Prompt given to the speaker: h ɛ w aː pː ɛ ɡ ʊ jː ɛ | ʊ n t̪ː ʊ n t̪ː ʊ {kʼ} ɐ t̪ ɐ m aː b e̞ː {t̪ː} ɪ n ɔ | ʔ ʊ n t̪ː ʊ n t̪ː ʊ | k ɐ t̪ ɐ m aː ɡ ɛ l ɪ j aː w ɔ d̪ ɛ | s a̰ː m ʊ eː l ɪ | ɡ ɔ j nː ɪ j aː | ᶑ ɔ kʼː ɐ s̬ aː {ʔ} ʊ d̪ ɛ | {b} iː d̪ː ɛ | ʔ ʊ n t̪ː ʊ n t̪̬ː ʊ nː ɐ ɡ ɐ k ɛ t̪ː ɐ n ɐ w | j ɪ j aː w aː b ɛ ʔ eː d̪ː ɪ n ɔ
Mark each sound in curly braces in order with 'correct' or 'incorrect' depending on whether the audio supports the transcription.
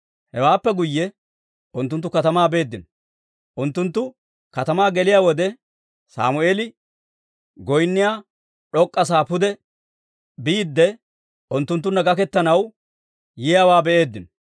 incorrect: k, incorrect: d̪ː, incorrect: p, correct

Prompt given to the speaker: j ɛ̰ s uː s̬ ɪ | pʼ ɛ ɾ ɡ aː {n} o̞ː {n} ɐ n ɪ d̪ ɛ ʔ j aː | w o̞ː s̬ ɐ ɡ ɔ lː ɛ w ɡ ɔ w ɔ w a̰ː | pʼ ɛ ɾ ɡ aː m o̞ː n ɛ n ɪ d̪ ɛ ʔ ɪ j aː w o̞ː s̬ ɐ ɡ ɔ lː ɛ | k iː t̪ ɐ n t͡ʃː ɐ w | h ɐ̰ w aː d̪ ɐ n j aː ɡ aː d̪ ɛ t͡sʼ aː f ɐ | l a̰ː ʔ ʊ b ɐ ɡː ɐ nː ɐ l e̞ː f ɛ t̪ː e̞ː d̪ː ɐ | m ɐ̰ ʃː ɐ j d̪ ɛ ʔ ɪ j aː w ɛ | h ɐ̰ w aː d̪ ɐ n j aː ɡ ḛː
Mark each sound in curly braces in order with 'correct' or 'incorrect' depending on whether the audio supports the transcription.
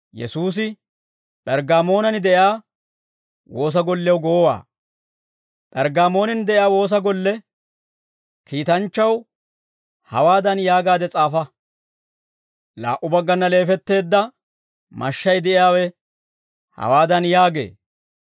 incorrect: m, correct

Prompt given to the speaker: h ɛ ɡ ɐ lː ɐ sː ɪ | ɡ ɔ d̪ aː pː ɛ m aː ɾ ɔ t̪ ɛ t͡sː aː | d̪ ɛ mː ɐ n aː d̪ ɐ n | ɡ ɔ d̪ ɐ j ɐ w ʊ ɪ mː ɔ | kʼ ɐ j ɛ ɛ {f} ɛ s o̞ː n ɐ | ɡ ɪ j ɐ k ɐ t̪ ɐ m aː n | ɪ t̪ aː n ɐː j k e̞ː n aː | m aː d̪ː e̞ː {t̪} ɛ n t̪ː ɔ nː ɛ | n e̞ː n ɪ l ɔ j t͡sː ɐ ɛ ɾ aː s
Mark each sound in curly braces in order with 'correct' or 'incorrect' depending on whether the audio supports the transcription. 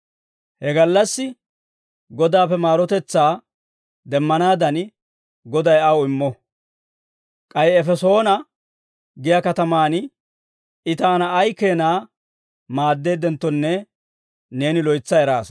correct, incorrect: d̪

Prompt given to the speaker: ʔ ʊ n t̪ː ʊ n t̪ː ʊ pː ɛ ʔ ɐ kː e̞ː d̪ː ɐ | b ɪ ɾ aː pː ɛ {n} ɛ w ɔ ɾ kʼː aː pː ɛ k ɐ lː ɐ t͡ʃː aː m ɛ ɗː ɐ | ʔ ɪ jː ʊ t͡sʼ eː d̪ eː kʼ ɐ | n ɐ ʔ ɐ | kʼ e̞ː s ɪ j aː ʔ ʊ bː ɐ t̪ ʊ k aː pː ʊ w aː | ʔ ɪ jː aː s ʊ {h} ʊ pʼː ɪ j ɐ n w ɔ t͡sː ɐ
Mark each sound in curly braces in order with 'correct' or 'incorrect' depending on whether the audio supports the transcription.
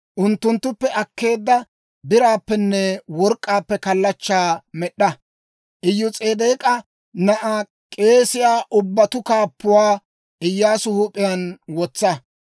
incorrect: nː, correct

